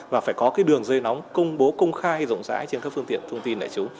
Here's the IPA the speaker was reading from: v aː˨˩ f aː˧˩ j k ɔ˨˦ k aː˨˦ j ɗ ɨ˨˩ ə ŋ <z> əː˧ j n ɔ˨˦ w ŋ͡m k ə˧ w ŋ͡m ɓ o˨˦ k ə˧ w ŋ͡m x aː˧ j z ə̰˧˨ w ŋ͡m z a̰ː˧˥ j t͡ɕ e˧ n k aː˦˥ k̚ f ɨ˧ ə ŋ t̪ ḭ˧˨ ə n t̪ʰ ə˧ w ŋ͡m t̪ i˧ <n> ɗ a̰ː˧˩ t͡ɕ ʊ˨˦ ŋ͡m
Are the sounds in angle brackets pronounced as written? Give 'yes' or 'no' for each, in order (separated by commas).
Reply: yes, yes